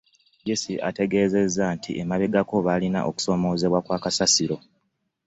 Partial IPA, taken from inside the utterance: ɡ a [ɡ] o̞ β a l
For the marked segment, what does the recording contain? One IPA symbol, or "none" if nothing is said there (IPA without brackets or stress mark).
k